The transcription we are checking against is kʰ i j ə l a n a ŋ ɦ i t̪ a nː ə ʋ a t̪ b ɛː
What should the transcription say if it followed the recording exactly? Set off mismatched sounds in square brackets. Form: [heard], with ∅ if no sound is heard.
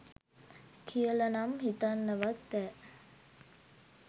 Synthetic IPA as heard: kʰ i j ə l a n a [m] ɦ i t̪ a nː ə ʋ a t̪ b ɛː